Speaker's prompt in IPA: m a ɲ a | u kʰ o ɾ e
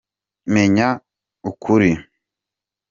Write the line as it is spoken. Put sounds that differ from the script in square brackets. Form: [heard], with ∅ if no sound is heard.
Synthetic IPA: m [e] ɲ a | u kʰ [u] ɾ [i]